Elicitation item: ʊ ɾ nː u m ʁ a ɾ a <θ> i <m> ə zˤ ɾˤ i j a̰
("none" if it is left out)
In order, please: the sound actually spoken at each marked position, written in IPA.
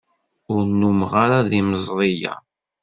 ð, m

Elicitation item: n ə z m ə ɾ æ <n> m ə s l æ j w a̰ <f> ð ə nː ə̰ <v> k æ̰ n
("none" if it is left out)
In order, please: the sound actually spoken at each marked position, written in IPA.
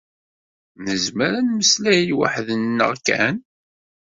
n, ħ, ʁ

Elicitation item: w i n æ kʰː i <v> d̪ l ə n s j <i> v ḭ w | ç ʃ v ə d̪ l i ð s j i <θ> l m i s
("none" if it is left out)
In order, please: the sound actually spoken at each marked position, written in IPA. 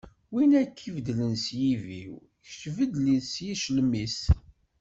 v, i, ʃ

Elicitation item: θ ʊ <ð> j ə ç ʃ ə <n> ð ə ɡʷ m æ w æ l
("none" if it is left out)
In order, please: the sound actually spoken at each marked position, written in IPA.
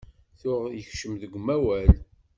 ʁ, m

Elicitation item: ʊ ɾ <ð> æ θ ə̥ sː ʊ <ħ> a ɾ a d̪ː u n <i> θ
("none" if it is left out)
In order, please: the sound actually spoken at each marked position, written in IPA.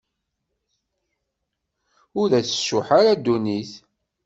ð, ħ, i

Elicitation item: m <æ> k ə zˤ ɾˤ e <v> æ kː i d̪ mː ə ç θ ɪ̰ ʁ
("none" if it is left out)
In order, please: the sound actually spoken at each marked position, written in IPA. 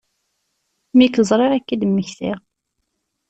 i, ʁ

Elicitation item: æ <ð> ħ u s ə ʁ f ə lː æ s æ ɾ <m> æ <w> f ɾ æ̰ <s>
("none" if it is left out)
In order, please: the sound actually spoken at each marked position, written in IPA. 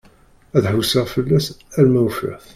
ð, m, w, θ

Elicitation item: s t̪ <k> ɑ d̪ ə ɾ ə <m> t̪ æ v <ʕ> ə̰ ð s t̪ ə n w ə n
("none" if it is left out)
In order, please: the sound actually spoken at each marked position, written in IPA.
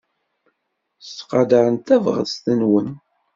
q, n, ʁ

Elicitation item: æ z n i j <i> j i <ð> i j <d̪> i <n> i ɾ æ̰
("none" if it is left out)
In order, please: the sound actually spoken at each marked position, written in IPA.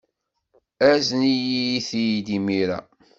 i, θ, d̪, m

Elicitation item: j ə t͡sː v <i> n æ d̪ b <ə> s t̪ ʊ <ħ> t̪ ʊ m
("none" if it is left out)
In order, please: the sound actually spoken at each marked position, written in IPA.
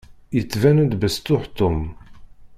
æ, ə, ħ

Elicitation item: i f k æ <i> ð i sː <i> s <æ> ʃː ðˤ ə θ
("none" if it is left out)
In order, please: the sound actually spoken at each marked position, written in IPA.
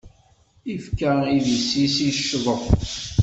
i, i, i

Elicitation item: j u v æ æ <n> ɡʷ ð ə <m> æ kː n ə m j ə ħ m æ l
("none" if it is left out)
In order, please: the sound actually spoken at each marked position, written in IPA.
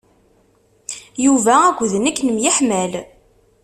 none, n

